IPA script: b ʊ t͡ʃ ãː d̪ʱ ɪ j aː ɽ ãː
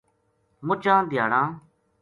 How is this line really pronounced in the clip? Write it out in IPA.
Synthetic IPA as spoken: m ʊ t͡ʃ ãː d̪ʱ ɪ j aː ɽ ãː